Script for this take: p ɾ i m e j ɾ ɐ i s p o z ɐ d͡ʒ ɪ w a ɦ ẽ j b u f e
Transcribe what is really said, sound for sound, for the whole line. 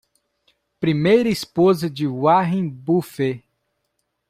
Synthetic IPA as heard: p ɾ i m e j ɾ ɐ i s p o z ɐ d͡ʒ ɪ w a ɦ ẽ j b u f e

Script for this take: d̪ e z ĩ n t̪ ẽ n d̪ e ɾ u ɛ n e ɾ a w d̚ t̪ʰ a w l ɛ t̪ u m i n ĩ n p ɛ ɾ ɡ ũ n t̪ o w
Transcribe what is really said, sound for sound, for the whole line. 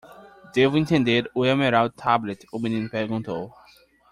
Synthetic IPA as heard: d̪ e v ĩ n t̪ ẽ n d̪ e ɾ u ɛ m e ɾ a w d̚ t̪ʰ a b l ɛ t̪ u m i n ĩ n p ɛ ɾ ɡ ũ n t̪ o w

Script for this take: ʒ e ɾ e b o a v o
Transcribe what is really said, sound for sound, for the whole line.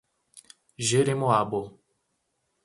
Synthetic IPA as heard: ʒ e ɾ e m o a b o

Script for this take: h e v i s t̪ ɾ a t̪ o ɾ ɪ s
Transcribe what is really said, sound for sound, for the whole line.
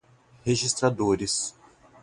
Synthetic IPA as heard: h e ʒ i s t̪ ɾ a d̪ o ɾ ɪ s

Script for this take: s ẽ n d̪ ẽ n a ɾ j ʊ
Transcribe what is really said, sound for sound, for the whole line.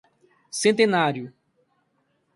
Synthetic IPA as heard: s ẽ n t̪ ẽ n a ɾ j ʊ

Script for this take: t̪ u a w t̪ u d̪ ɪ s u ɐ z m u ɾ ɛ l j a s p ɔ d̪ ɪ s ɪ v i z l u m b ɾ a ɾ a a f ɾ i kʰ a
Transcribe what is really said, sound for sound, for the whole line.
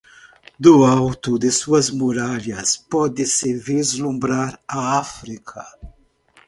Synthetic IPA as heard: d̪ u a w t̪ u d̪ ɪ s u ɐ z m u ɾ a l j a s p ɔ d̪ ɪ s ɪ v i z l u m b ɾ a ɾ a a f ɾ i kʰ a

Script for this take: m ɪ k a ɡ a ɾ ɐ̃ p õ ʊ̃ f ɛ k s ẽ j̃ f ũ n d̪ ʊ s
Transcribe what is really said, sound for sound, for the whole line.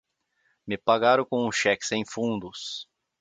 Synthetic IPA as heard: m ɪ p a ɡ a ɾ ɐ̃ k õ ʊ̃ ʃ ɛ k s ẽ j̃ f ũ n d̪ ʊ s

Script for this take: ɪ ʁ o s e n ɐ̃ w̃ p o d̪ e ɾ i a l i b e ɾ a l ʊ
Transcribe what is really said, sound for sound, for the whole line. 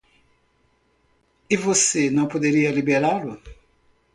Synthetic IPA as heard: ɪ v o s e n ɐ̃ w̃ p o d̪ e ɾ i ɐ l i b e ɾ a l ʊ

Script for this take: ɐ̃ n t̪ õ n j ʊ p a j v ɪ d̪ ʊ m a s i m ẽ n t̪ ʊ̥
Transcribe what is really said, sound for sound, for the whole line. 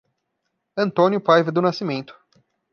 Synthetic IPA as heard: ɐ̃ n t̪ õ n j ʊ p a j v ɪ d̪ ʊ n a s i m ẽ n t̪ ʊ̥

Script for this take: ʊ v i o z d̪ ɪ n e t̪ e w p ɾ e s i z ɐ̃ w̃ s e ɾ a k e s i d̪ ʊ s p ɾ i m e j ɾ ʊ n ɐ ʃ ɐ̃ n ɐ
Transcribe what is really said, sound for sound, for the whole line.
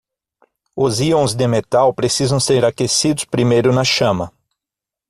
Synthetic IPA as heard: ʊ z i õ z d̪ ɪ m e t̪ a w p ɾ e s i z ɐ̃ w̃ s e ɾ a k e s i d̪ ʊ s p ɾ i m e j ɾ ʊ n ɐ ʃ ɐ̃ m ɐ

